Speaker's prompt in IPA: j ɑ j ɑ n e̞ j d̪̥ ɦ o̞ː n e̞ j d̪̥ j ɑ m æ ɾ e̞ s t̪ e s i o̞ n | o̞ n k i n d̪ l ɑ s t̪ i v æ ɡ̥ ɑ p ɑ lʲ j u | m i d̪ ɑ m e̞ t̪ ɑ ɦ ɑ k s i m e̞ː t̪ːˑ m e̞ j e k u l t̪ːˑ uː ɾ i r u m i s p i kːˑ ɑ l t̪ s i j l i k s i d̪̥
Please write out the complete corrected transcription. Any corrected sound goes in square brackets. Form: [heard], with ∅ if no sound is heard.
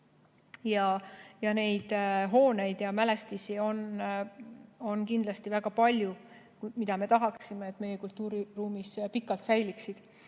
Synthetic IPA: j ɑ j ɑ n e̞ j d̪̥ ɦ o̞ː n e̞ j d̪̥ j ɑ m æ [l] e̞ s t̪ [i] s i o̞ n | o̞ n k i n d̪ l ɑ s t̪ i v æ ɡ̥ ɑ p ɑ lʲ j u | m i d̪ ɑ m e̞ t̪ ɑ ɦ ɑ k s i m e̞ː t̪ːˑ m e̞ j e k u l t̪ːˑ uː ɾ i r [uː] m i s p i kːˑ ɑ l t̪ s [æ] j l i k s i d̪̥